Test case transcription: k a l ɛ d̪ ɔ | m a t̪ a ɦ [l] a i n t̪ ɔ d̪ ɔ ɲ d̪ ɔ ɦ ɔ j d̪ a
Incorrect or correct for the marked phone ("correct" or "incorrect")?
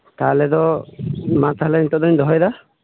correct